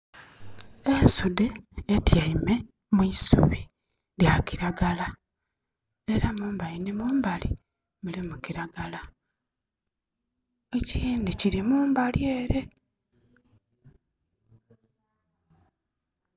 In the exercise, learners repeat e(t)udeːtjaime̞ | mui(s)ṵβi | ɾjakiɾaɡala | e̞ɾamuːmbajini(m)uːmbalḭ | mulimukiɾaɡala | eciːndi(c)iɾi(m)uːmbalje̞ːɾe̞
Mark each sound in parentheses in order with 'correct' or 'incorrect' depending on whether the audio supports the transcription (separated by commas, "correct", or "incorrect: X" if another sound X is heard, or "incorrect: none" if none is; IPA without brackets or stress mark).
incorrect: s, correct, correct, correct, correct